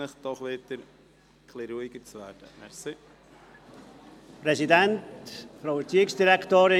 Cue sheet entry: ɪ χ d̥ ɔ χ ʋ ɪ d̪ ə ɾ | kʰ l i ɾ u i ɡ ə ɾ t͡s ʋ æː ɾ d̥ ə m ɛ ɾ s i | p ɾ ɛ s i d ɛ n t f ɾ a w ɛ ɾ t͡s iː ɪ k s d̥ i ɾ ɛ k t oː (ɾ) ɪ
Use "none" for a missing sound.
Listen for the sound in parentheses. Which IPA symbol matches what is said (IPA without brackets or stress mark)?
ɾ